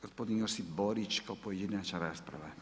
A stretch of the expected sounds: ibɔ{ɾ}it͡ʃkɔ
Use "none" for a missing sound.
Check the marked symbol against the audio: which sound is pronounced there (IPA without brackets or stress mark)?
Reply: ɾ